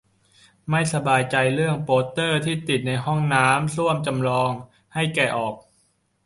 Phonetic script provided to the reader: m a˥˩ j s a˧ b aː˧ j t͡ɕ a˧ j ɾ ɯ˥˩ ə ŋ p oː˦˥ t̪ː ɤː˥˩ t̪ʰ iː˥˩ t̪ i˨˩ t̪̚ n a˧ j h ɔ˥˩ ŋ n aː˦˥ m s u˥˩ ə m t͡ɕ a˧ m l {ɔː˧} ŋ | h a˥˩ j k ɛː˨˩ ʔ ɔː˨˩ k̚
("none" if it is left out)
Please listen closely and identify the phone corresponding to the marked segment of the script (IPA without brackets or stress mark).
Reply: ɔː˧